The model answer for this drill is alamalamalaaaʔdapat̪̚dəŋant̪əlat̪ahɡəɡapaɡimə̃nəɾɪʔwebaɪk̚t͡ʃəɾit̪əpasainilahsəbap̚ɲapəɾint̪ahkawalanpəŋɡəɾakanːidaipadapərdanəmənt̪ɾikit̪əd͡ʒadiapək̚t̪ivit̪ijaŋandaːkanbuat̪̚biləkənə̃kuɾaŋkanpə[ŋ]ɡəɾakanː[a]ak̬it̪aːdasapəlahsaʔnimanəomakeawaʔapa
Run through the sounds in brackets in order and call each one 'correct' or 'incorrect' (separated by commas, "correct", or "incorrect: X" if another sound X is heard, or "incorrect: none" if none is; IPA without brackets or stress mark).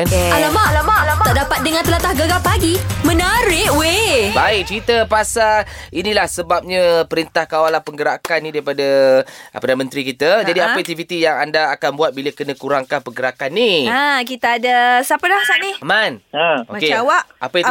correct, incorrect: i